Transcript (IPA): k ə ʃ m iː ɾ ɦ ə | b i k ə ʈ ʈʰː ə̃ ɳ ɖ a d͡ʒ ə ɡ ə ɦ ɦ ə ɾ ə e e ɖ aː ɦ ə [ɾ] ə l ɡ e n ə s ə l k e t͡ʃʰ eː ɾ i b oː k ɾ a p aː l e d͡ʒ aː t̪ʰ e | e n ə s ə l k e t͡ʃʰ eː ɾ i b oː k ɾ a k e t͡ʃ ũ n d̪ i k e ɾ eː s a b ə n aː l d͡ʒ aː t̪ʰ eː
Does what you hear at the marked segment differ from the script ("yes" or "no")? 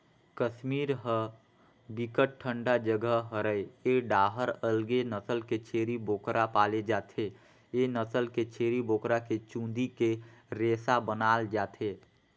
no